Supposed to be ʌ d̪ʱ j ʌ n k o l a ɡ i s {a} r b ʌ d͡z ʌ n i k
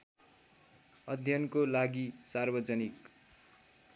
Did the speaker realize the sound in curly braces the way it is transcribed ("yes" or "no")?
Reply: yes